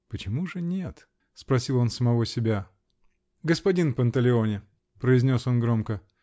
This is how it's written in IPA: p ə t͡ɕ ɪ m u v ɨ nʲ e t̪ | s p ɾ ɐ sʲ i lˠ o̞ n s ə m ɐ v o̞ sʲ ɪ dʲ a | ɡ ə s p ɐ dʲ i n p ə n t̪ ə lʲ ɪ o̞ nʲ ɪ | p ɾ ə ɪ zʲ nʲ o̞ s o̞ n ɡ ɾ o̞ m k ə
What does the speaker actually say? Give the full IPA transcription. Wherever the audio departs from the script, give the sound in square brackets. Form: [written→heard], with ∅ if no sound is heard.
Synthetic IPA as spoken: p ə t͡ɕ ɪ m u [v→ʐ] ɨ nʲ e t̪ | s p ɾ ɐ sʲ i lˠ o̞ n s ə m ɐ v o̞ sʲ ɪ [dʲ→bʲ] a | ɡ ə s p ɐ dʲ i n p ə n t̪ ə lʲ ɪ o̞ nʲ ɪ | p ɾ ə ɪ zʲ nʲ o̞ s o̞ n ɡ ɾ o̞ m k ə